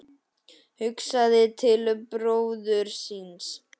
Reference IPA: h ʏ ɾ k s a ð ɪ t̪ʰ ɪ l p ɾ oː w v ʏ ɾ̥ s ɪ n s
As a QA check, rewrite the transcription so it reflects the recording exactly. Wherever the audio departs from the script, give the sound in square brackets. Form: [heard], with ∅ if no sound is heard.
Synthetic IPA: h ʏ [∅] k s a ð ɪ t̪ʰ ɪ l p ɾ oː w [ð] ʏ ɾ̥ s [i] n s